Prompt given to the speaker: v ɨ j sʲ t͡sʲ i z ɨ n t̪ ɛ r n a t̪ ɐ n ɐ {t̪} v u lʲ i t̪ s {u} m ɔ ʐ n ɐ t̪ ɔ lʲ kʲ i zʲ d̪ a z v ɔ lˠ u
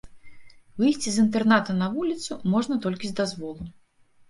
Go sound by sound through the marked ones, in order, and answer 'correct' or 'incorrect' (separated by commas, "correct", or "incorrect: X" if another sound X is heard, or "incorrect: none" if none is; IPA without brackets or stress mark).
incorrect: none, correct